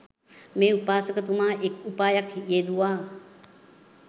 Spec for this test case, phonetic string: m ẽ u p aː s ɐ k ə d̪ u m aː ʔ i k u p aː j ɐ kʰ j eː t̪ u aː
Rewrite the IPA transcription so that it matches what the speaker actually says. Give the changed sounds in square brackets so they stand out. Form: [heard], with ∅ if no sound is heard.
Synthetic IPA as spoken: m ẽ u p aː s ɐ k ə [t̪] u m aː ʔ [e] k u p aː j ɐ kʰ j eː [d̪] u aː